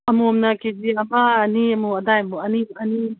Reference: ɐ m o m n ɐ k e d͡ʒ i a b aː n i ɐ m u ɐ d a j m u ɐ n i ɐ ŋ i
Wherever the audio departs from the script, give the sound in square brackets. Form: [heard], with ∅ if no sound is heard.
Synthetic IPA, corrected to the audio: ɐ m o m n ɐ k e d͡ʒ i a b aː n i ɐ m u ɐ d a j m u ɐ n i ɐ [n] i